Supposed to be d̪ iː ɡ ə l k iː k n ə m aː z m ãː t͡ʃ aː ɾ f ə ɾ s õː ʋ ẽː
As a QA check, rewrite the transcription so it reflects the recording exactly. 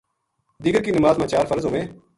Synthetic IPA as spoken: d̪ iː ɡ ə ɾ k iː n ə m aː z m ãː t͡ʃ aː ɾ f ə ɾ z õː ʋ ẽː